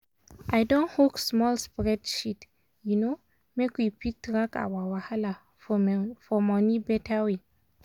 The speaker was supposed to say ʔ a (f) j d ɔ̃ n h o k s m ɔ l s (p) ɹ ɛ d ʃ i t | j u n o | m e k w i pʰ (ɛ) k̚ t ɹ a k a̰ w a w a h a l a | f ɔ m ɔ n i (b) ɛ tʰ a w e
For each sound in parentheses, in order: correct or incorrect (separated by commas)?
incorrect, correct, incorrect, correct